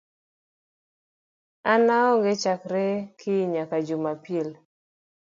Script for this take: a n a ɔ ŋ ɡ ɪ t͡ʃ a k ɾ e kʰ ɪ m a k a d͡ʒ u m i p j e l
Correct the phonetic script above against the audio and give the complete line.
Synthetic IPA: a n a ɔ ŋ ɡ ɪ t͡ʃ a k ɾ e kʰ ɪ ɲ a k a d͡ʒ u m a p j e l